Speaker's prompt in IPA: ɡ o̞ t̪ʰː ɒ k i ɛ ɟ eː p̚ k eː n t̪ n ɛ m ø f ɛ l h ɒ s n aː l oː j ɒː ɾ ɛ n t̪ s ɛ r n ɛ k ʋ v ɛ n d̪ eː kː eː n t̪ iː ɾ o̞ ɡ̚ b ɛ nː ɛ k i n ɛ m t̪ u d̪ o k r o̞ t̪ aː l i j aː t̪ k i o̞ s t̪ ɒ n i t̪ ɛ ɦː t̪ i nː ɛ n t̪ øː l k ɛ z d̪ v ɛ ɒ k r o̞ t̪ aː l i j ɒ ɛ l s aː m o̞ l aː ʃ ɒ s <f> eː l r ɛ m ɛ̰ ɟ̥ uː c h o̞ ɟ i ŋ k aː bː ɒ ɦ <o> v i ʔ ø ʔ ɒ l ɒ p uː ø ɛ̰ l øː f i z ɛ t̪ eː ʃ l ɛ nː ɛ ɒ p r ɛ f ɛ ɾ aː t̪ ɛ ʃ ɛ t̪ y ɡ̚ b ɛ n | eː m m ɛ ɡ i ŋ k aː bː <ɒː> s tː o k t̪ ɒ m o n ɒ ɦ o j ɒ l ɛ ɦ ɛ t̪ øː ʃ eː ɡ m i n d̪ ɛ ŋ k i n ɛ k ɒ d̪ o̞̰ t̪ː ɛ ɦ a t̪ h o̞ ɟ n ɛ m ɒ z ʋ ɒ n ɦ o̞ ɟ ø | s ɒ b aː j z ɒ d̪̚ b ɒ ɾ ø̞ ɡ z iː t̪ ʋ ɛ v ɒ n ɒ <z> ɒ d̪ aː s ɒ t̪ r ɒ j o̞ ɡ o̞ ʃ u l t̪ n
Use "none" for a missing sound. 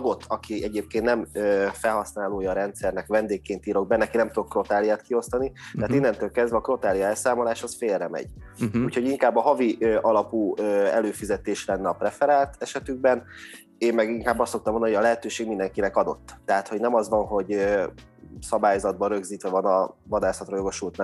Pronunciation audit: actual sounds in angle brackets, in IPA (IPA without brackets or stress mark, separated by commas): f, ɒ, ɒ, v